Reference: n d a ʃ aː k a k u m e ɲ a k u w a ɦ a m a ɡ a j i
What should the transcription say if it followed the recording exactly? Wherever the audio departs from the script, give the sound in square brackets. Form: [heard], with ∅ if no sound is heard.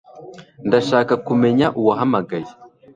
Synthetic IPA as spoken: n d a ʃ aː k a k u m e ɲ a [ʔ] u w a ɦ a m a ɡ a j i